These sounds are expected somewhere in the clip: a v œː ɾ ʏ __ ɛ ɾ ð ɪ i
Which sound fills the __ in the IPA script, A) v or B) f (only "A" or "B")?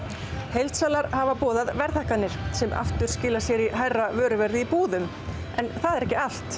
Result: A